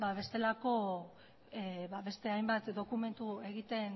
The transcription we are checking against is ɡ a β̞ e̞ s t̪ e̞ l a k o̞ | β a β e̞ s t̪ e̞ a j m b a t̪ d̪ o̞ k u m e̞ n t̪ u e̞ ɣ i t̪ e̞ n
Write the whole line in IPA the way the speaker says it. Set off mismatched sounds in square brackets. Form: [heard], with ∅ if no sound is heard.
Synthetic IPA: [b] a β̞ e̞ s t̪ e̞ l a k o̞ | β a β e̞ s t̪ e̞ a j m b a t̪ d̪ o̞ k u m e̞ n t̪ u e̞ ɣ i t̪ e̞ n